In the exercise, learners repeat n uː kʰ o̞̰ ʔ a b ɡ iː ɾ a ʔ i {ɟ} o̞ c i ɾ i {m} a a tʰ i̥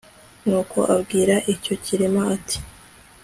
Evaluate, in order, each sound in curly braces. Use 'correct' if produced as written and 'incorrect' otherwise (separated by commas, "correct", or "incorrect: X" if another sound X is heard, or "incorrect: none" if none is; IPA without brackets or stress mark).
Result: incorrect: c, correct